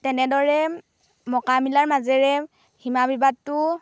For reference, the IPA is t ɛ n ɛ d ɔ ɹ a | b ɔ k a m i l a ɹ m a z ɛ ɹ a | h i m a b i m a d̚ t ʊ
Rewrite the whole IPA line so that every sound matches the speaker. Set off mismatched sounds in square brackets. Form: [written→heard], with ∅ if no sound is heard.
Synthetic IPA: t ɛ n ɛ d ɔ ɹ [a→ɛ] | [b→m] ɔ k a m i l a ɹ m a z ɛ ɹ [a→ɛ] | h i m a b i [m→b] a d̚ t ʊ